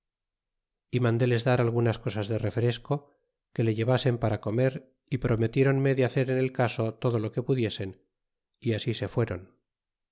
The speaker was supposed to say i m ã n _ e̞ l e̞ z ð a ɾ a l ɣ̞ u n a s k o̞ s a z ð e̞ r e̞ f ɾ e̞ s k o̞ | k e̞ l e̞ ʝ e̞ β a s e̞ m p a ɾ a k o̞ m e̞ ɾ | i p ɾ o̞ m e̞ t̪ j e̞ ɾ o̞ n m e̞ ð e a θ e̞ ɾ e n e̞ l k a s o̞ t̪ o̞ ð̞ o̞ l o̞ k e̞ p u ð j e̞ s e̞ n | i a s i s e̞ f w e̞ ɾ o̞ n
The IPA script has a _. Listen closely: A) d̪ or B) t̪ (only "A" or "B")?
A